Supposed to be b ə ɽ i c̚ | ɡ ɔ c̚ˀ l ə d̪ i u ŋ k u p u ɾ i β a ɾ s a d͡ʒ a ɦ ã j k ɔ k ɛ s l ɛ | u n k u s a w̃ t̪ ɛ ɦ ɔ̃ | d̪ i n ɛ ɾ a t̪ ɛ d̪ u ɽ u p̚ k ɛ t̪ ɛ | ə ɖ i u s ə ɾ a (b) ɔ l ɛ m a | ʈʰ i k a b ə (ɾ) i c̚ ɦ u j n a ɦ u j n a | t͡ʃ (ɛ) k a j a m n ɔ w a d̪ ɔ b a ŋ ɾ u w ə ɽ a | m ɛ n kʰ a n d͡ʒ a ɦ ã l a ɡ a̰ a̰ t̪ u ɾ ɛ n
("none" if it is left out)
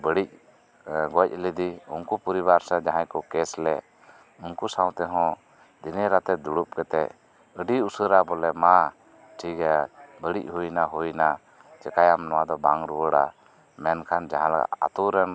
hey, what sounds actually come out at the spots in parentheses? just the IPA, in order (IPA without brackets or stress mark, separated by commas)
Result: b, ɽ, ɛ